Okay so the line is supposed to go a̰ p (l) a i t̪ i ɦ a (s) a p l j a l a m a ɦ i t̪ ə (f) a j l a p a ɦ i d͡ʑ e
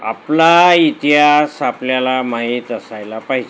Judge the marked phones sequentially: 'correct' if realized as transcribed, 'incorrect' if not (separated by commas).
correct, correct, incorrect